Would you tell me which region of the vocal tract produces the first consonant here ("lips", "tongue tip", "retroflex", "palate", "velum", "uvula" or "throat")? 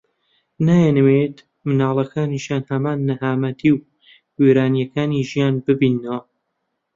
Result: tongue tip